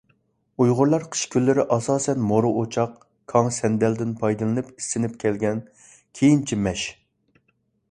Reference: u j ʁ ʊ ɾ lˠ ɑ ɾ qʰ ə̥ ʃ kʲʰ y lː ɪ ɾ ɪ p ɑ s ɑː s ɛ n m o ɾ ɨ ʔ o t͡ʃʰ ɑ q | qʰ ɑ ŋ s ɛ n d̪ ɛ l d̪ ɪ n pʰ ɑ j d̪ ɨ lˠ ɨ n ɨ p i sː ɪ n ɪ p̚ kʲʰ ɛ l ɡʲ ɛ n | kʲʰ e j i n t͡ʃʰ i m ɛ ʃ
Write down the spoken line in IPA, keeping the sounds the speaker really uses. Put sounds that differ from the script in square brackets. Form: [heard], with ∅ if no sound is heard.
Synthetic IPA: u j ʁ ʊ ɾ lˠ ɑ ɾ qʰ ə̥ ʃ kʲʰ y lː ɪ ɾ ɪ [ʔ] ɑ s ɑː s ɛ n m o ɾ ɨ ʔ o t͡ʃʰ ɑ q | [kʰ] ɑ ŋ s ɛ n d̪ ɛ l d̪ ɪ n pʰ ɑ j d̪ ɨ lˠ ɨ n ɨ p i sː ɪ n ɪ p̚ kʲʰ ɛ l ɡʲ ɛ n | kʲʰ e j i n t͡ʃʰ i m ɛ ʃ